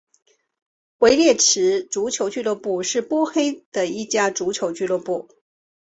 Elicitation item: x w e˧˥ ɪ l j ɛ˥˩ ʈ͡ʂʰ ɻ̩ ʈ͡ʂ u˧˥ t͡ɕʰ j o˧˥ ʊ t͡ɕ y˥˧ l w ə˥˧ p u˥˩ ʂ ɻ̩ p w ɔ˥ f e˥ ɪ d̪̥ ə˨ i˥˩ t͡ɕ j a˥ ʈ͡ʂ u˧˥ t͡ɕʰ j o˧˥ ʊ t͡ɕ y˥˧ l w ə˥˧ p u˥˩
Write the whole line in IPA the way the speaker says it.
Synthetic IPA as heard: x w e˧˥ ɪ l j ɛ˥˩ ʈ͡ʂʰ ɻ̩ ʈ͡ʂ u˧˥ t͡ɕʰ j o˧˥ ʊ t͡ɕ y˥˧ l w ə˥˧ p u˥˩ ʂ ɻ̩ p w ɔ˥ x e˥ ɪ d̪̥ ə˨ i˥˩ t͡ɕ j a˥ ʈ͡ʂ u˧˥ t͡ɕʰ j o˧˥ ʊ t͡ɕ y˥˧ l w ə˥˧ p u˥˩